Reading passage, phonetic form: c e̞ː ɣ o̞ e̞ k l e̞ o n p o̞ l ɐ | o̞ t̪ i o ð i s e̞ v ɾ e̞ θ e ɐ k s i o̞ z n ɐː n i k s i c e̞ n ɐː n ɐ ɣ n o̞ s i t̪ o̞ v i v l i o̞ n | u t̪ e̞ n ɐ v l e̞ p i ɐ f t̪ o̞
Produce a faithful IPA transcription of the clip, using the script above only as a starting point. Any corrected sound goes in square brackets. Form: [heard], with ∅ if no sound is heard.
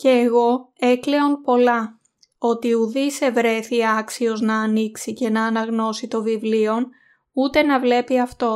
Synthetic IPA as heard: c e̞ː ɣ o̞ e̞ k l e̞ o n p o̞ l ɐ | o̞ t̪ i [u] ð i s e̞ v ɾ e̞ θ [i] ɐ k s i o̞ z n ɐː n i k s i c e̞ n ɐː n ɐ ɣ n o̞ s i t̪ o̞ v i v l i o̞ n | u t̪ e̞ n ɐ v l e̞ p i ɐ f t̪ o̞